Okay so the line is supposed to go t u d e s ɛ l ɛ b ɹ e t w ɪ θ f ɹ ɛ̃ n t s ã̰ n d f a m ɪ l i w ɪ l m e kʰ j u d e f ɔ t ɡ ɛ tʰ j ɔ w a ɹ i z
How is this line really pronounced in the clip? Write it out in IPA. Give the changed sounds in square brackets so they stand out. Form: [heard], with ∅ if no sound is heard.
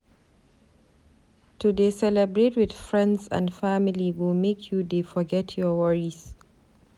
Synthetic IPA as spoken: t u d e s ɛ l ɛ b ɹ e t w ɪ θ f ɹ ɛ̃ n [d] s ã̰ n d f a m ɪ l i w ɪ l m e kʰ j u d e f ɔ [∅] ɡ ɛ tʰ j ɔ w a ɹ i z